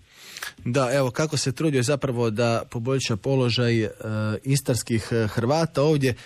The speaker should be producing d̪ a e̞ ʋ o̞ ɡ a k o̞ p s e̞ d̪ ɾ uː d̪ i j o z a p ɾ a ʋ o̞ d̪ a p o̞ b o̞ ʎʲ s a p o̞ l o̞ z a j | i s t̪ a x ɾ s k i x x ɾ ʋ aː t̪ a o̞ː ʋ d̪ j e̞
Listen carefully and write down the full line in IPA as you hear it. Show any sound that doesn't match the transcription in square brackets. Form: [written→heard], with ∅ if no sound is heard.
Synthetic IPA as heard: d̪ a e̞ ʋ o̞ [ɡ→k] a k o̞ [p→∅] s e̞ [d̪→t̪] ɾ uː d̪ i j o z a p ɾ a ʋ o̞ d̪ a p o̞ b o̞ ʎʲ [s→ʃ] a p o̞ l o̞ [z→ʒ] a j | i s t̪ a [x→∅] ɾ s k i x x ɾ ʋ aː t̪ a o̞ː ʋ d̪ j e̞